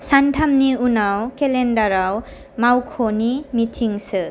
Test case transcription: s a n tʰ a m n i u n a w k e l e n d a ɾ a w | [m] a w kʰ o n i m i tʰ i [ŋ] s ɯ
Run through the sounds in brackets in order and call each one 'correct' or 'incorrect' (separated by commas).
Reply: correct, correct